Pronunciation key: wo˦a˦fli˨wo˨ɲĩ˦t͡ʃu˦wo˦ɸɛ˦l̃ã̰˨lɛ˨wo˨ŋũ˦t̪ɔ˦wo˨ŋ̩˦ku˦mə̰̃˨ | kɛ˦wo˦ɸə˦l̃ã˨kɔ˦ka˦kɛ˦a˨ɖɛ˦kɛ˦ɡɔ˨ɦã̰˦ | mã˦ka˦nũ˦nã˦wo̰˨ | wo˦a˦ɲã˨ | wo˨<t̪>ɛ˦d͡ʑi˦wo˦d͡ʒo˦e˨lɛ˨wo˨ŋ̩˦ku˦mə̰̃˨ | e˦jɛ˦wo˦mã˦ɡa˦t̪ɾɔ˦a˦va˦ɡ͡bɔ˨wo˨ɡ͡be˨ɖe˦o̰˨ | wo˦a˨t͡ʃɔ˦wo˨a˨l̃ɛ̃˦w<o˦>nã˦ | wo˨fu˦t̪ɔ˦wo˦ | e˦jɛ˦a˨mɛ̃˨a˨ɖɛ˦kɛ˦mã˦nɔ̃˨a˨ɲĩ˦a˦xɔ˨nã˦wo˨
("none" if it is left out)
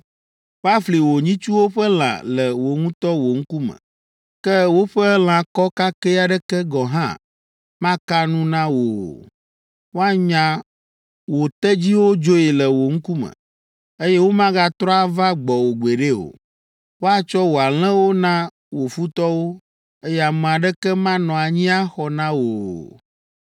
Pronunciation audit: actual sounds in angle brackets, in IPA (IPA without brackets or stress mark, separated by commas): t̪, o˦